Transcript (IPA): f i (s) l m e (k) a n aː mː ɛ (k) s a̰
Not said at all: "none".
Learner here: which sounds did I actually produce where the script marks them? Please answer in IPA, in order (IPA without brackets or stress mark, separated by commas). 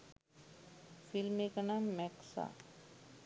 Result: none, k, k